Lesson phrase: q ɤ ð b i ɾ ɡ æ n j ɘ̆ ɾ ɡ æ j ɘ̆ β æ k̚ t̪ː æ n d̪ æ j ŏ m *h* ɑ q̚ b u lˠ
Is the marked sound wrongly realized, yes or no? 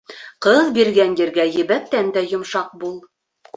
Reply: yes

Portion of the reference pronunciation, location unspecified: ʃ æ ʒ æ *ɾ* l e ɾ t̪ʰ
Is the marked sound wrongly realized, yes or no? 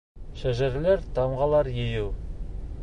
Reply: no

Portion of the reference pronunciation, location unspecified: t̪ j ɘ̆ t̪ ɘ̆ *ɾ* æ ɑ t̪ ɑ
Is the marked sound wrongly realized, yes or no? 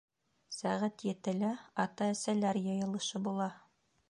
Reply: yes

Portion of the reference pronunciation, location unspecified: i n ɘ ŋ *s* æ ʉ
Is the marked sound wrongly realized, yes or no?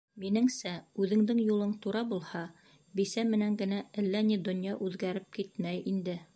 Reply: no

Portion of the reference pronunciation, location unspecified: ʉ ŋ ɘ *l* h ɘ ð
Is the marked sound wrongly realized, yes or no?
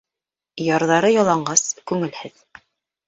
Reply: no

